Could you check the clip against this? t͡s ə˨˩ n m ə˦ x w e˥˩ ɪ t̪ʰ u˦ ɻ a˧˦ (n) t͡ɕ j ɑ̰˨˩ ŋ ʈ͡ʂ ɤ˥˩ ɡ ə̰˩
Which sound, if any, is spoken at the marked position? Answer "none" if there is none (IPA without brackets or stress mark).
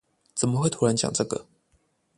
n